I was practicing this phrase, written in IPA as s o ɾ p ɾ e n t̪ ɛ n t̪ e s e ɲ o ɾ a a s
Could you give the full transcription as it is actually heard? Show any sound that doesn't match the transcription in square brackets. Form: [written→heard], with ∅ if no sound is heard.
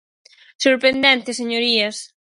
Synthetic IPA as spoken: s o ɾ p ɾ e n [t̪→d̪] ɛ n t̪ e s e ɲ o ɾ [a→i] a s